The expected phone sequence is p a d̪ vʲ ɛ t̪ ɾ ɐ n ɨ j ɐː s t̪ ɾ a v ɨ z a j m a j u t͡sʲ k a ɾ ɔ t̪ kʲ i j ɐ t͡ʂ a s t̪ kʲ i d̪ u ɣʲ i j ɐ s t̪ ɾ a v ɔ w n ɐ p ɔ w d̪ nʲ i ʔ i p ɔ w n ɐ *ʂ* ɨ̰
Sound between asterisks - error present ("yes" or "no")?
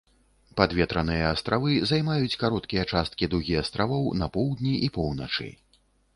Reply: yes